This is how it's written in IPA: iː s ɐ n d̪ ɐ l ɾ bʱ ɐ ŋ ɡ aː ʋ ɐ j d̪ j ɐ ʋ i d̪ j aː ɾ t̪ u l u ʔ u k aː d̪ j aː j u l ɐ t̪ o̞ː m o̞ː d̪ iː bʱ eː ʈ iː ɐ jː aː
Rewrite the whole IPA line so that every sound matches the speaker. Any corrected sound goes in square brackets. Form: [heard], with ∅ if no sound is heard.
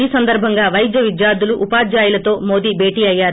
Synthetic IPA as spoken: iː s ɐ n d̪ ɐ [∅] ɾ bʱ ɐ ŋ ɡ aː ʋ ɐ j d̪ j ɐ ʋ i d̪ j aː ɾ [d̪] u l u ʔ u [p] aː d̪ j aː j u l ɐ t̪ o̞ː m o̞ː d̪ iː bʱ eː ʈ iː ɐ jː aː